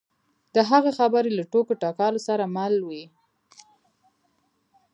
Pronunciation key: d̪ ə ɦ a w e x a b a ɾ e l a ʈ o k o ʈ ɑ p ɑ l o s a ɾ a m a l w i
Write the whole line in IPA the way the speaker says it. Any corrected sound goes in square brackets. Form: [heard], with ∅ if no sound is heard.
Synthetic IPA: d̪ ə ɦ a [ɣ] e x a b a ɾ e l a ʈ o k o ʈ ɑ [k] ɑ l o s a ɾ a m a l w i